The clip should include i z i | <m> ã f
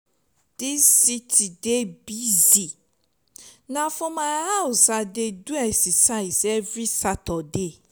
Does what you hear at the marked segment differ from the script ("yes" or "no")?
yes